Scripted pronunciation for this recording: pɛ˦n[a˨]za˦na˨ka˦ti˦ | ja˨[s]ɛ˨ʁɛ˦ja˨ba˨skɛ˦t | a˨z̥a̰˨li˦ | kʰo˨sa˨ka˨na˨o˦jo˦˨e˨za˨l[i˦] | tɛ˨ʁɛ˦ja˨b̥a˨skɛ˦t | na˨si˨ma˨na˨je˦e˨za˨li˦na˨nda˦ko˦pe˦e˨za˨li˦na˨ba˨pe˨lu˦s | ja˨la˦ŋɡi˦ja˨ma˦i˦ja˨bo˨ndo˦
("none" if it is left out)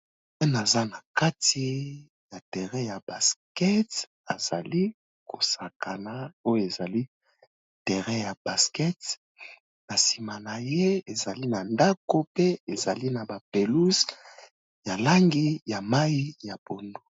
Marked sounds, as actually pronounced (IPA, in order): a˨, t, i˦

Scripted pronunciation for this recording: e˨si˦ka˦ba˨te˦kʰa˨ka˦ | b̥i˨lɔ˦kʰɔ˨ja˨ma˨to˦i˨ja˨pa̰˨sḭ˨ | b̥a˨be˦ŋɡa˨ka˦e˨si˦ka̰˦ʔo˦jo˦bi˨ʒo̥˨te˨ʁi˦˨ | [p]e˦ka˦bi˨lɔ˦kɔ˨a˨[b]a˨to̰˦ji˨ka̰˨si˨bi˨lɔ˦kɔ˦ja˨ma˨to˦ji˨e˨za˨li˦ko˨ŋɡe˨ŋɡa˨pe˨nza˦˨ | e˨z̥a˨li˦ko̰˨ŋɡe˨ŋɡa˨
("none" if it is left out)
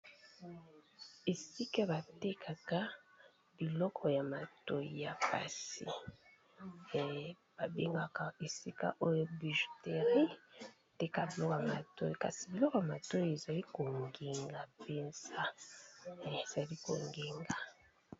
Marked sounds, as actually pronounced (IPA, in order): t, m

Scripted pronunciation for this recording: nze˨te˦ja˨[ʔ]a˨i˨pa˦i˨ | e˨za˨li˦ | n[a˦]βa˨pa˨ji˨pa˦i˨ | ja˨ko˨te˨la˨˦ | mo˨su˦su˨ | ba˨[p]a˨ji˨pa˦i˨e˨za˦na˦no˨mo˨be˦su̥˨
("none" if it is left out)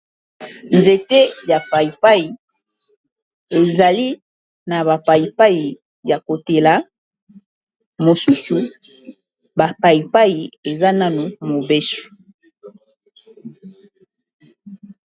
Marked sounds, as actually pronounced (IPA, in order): p, a˨, p

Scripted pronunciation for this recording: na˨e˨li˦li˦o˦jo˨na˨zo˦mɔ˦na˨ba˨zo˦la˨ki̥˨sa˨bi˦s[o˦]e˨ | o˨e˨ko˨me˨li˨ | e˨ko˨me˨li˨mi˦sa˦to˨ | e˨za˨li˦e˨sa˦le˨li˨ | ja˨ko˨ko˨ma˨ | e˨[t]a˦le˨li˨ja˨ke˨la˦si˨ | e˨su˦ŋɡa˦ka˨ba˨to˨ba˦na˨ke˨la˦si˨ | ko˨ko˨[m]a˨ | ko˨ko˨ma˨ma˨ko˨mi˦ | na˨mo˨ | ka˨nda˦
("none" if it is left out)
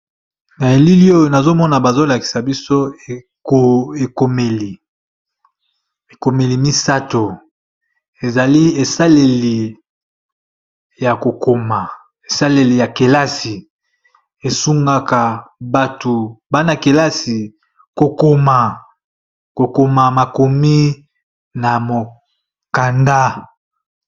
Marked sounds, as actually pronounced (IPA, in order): o˦, s, m

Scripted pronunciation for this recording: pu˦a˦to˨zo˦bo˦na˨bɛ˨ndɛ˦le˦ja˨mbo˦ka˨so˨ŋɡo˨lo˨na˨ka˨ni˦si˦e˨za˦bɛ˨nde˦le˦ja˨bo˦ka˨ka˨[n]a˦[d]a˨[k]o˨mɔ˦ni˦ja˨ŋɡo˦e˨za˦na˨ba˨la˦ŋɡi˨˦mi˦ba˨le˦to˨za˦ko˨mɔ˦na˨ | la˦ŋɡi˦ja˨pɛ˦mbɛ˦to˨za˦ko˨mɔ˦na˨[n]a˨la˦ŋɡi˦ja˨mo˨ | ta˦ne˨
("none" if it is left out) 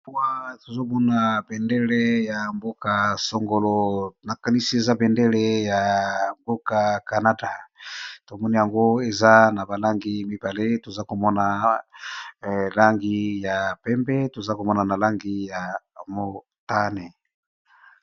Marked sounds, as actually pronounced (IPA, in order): n, d, t, n

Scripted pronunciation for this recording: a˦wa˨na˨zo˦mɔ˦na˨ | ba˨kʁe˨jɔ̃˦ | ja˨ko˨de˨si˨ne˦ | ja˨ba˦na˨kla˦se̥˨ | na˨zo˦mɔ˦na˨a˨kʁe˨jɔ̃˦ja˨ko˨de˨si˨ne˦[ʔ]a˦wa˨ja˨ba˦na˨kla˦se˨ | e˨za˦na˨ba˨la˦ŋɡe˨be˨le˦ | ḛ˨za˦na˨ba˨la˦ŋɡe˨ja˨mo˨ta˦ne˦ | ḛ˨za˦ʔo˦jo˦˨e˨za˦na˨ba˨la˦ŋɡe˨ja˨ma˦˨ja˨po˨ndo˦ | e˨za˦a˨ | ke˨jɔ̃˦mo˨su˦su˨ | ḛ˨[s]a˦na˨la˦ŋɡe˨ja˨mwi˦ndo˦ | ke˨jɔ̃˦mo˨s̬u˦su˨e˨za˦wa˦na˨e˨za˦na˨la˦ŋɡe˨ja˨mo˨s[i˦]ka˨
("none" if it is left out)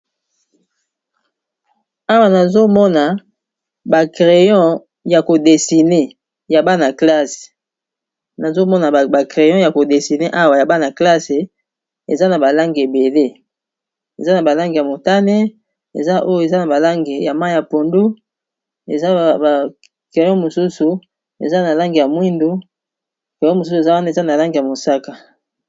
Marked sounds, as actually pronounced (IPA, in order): ʔ, z, a˦

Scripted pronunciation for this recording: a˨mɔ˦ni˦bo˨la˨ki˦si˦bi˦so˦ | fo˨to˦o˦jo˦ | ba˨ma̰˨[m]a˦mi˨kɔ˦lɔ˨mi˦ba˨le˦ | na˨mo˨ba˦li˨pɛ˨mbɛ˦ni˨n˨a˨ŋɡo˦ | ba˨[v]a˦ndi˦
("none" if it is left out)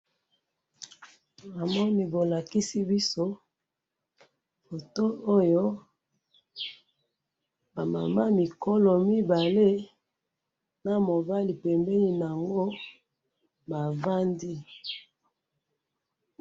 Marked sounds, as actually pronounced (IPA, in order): m, v

